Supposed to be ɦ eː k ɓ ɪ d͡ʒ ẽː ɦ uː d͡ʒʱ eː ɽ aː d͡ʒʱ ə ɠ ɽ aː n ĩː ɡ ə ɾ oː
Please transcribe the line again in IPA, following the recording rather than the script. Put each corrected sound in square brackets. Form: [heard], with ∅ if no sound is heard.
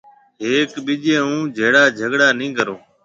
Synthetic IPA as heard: ɦ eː k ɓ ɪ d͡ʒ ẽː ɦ [ũː] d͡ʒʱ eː ɽ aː d͡ʒʱ ə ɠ ɽ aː n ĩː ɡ ə ɾ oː